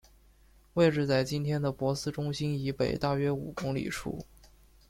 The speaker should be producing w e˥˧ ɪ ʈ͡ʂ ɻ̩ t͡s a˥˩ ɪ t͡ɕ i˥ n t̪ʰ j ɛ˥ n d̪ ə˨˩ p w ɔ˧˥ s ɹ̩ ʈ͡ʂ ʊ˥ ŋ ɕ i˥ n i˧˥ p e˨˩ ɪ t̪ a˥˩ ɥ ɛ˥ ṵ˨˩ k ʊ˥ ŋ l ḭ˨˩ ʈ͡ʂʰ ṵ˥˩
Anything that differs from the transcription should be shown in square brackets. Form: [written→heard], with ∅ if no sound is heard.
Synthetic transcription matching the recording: w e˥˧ ɪ ʈ͡ʂ ɻ̩ t͡s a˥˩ ɪ t͡ɕ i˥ n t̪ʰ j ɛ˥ n d̪ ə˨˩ p w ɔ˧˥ s ɹ̩ ʈ͡ʂ ʊ˥ ŋ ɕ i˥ n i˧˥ p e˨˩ ɪ t̪ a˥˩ ɥ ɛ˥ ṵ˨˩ k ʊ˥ ŋ l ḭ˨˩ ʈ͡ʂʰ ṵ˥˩

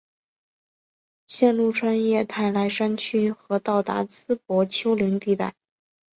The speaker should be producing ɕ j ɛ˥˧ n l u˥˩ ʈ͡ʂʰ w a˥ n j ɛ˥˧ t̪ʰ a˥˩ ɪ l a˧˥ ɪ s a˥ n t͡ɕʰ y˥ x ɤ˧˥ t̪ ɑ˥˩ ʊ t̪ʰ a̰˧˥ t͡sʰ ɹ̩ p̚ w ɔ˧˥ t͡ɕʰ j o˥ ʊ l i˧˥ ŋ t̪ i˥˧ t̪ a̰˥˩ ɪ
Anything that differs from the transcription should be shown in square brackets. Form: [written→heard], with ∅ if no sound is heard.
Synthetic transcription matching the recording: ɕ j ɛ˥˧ n l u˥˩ ʈ͡ʂʰ w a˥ n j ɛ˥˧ t̪ʰ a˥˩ ɪ l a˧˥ ɪ [s→ʂ] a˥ n t͡ɕʰ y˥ x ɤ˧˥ t̪ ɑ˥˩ ʊ [t̪ʰ→t̪] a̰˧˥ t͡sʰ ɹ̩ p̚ w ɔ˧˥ t͡ɕʰ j o˥ ʊ l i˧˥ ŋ t̪ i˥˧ t̪ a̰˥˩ ɪ

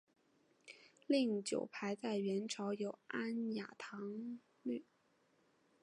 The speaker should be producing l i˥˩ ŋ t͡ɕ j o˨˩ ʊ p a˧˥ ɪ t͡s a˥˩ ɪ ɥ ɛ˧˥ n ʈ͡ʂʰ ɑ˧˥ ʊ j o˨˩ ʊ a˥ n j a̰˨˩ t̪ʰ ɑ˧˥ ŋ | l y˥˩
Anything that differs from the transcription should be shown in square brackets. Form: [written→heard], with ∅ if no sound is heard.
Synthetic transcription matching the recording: l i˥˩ ŋ t͡ɕ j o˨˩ ʊ [p→pʰ] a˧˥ ɪ t͡s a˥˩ ɪ ɥ ɛ˧˥ n ʈ͡ʂʰ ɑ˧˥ ʊ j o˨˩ ʊ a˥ n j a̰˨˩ t̪ʰ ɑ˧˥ ŋ | l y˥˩

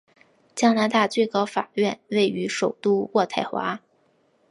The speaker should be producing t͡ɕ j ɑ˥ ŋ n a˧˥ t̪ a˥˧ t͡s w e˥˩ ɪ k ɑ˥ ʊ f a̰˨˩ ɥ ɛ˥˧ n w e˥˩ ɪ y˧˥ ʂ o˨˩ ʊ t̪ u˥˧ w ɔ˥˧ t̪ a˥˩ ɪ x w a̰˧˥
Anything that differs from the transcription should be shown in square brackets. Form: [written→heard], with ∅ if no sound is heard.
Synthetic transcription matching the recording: t͡ɕ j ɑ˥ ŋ n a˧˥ t̪ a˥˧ t͡s w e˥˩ ɪ k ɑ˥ ʊ f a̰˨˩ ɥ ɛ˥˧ n w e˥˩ ɪ y˧˥ ʂ o˨˩ ʊ t̪ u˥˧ w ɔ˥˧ [t̪→t̪ʰ] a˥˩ ɪ x w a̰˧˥

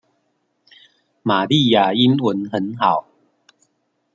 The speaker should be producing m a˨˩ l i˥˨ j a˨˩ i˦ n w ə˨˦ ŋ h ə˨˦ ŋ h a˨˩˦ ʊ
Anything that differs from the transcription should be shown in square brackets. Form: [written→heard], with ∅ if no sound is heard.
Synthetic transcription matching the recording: m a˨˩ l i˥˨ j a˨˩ i˦ n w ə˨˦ [ŋ→n] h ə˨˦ [ŋ→n] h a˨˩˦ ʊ

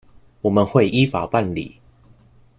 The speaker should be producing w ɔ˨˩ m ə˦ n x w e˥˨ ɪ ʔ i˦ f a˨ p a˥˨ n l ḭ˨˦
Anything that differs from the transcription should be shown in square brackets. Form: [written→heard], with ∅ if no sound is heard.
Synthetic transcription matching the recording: w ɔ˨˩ m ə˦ n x w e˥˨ ɪ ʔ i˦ f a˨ p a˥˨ n l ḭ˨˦

